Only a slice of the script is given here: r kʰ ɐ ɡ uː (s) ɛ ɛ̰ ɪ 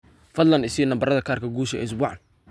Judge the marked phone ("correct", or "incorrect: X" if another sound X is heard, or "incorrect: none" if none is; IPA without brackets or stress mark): incorrect: ʃ